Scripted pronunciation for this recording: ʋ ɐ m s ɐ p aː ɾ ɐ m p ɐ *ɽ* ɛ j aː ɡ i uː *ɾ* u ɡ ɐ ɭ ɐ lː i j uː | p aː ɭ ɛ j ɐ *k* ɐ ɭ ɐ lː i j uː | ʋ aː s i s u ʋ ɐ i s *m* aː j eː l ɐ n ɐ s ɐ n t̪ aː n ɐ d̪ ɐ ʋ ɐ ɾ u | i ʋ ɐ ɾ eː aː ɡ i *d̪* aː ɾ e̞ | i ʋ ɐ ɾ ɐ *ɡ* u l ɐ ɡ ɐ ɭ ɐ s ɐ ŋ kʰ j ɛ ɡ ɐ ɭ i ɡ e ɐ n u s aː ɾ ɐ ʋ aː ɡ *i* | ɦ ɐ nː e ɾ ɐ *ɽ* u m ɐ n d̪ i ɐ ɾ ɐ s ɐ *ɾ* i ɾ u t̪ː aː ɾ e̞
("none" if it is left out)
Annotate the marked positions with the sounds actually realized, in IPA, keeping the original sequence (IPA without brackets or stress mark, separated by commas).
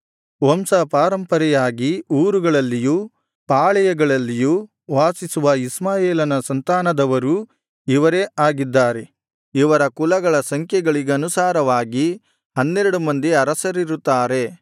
ɾ, ɾ, ɡ, m, d̪ː, k, i, ɽ, ɾ